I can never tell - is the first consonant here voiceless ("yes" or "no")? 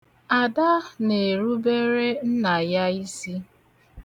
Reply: no